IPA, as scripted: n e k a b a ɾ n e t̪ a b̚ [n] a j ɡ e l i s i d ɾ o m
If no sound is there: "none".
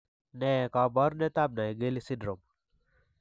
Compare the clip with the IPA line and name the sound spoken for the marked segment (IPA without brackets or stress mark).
n